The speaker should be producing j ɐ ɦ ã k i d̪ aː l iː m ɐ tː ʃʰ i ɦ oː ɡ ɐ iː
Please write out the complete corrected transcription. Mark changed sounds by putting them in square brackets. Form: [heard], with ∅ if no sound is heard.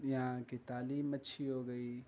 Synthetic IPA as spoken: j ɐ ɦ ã k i [t̪] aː l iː m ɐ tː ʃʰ i ɦ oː ɡ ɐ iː